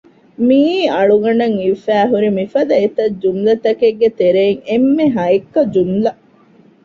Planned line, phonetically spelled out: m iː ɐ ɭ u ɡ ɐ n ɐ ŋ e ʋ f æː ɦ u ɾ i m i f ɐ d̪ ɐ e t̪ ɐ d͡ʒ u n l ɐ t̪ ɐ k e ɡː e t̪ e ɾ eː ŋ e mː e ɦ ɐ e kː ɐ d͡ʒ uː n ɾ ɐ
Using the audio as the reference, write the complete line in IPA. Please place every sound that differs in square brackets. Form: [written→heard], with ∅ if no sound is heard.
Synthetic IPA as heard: m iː ɐ ɭ u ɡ ɐ n ɐ ŋ [e→i] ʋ f æː ɦ u ɾ i m i f ɐ d̪ ɐ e t̪ ɐ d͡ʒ u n l ɐ t̪ ɐ k e ɡː e t̪ e ɾ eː ŋ e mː e ɦ ɐ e kː ɐ d͡ʒ [uː→u] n [ɾ→l] ɐ

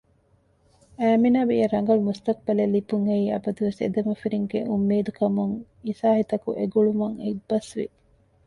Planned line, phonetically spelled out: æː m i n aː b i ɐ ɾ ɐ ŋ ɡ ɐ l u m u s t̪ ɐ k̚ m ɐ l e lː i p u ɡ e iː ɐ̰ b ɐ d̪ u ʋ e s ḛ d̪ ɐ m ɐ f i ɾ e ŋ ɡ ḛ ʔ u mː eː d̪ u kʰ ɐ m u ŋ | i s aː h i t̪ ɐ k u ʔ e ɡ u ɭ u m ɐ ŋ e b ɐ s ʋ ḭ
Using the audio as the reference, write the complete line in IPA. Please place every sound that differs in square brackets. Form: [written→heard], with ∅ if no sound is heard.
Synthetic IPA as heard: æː m i n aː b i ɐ ɾ ɐ ŋ ɡ ɐ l u m u s t̪ ɐ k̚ [m→b] ɐ l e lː i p u [ɡ→ŋ] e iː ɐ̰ b ɐ d̪ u ʋ e s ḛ d̪ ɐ m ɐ f i ɾ [e→i] ŋ ɡ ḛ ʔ u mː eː d̪ u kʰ ɐ m u ŋ | i s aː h i t̪ ɐ k u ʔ e ɡ u ɭ u m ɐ ŋ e b ɐ s ʋ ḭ

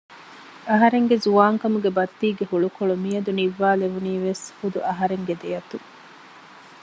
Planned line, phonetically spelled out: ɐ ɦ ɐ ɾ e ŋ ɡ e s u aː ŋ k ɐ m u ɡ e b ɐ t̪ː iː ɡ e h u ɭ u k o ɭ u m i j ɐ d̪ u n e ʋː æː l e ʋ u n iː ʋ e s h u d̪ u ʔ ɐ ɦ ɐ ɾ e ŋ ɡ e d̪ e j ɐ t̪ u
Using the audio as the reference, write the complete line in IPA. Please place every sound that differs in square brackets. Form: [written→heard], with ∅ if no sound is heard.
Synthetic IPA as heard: ɐ ɦ ɐ ɾ e ŋ ɡ e [s→z] u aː ŋ k ɐ m u ɡ e b ɐ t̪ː iː ɡ e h u ɭ u k o ɭ u m i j ɐ d̪ u n [e→i] ʋː [æː→aː] l e ʋ u n iː ʋ e s h u d̪ u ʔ ɐ ɦ ɐ ɾ e ŋ ɡ e d̪ e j ɐ t̪ u

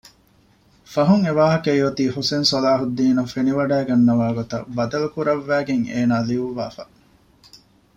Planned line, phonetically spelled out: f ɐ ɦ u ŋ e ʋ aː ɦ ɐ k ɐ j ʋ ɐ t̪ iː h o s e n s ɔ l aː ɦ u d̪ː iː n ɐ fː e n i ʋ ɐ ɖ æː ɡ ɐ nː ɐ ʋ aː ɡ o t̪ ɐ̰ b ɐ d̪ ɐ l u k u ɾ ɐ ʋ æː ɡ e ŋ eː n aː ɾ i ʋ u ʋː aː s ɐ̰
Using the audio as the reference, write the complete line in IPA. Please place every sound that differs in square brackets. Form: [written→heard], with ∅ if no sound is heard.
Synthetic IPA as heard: f ɐ ɦ u ŋ e ʋ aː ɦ ɐ k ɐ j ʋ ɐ t̪ iː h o s e n s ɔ l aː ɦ u d̪ː iː n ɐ [fː→f] e n i ʋ ɐ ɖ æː ɡ ɐ nː ɐ ʋ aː ɡ o t̪ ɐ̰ b ɐ d̪ ɐ l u k u ɾ ɐ [ʋ→ʋː] æː ɡ e ŋ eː n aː [ɾ→l] i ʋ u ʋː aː [s→f] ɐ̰

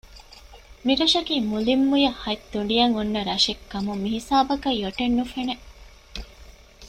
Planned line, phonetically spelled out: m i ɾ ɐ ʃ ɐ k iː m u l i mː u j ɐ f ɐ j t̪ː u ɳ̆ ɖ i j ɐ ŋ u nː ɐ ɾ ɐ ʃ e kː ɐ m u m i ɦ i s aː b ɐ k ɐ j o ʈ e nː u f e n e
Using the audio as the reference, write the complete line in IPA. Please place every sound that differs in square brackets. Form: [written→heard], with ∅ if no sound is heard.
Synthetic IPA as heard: m i ɾ ɐ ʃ ɐ k iː m u l i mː u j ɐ [f→h] ɐ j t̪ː u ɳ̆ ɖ i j ɐ ŋ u nː ɐ ɾ ɐ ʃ e kː ɐ m u m i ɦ i s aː b ɐ k ɐ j o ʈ e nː u f e n e

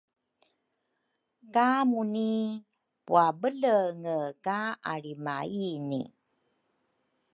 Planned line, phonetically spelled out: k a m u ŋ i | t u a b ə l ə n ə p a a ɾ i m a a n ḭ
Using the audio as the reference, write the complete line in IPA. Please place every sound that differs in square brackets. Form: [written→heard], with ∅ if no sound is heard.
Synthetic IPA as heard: k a m u [ŋ→n] i | [t→p] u a b ə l ə [n→ŋ] ə [p→k] a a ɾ i m a [a→i] n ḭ

